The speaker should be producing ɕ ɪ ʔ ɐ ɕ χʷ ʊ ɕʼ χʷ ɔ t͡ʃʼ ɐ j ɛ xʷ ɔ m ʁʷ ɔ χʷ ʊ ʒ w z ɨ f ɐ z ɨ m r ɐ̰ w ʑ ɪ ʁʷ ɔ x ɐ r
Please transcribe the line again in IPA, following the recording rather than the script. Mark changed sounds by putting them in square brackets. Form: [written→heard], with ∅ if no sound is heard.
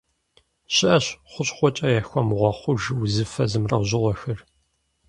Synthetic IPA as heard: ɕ ɪ ʔ ɐ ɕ χʷ ʊ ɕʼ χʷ ɔ t͡ʃʼ ɐ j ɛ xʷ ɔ m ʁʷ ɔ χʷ ʊ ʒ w z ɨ f ɐ z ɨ m r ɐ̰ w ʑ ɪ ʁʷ ɔ x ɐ r